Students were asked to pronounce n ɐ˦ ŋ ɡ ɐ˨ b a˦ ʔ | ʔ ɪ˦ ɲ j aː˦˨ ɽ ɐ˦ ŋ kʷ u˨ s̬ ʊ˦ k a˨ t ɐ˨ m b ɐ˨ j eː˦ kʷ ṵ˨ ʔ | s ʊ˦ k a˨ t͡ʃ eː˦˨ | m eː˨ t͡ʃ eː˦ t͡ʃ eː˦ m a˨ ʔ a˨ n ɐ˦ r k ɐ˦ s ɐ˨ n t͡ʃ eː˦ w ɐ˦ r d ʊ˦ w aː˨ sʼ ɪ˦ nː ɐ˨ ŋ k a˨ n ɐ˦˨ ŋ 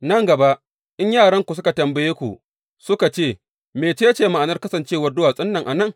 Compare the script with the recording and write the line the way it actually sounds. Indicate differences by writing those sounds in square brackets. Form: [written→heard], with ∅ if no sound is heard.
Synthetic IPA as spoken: n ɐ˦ ŋ ɡ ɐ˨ b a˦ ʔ | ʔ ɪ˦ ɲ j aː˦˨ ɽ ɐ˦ ŋ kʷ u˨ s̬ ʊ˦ k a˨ t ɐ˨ m b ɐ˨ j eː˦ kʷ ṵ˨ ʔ | s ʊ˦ k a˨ t͡ʃ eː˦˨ | m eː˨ t͡ʃ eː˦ t͡ʃ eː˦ m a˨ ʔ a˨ n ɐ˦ r k ɐ˦ s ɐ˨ n t͡ʃ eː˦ w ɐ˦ r d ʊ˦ w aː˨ sʼ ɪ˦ nː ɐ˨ ŋ [k→ʔ] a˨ n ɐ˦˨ ŋ